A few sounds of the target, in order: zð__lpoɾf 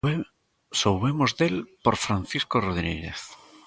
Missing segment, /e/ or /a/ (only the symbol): e